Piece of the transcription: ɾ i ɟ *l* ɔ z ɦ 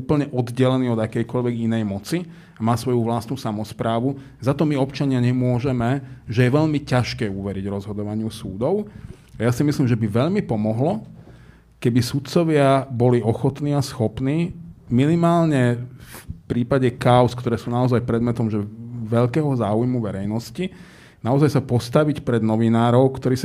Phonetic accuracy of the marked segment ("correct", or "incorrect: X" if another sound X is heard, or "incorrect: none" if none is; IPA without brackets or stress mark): incorrect: ɾ